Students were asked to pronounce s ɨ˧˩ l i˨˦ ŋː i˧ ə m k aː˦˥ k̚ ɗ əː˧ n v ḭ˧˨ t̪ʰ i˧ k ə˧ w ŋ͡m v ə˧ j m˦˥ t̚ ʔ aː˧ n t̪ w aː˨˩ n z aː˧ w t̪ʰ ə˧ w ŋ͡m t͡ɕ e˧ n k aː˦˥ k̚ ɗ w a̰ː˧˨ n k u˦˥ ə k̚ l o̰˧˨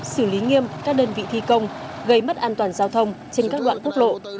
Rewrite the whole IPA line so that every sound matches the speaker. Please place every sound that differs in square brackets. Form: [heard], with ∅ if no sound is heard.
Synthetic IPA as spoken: s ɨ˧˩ l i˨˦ [ŋ] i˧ ə m k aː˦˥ k̚ ɗ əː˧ n v ḭ˧˨ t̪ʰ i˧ k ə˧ w ŋ͡m [ɣ] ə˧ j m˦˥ t̚ ʔ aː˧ n t̪ w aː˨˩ n z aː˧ w t̪ʰ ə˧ w ŋ͡m t͡ɕ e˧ n k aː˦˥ k̚ ɗ w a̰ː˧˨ n k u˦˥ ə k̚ l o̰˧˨